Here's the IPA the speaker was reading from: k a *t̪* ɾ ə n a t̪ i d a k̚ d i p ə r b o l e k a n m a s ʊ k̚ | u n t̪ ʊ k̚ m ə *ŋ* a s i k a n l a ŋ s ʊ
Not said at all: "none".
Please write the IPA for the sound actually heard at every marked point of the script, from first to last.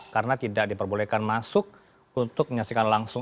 none, ɲ

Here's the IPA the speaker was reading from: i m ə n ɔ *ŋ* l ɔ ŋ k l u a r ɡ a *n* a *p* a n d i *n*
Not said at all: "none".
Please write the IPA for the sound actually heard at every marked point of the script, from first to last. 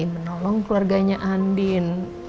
none, ɲ, ʔ, n

